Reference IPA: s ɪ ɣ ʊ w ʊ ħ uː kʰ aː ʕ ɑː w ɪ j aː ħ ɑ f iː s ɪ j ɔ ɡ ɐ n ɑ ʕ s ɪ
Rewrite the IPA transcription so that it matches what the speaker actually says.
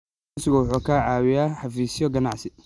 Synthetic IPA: s ɪ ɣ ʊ w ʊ ħ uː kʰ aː ʕ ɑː w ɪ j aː ħ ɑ f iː s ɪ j ɔ ɡ ɐ n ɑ ʕ s ɪ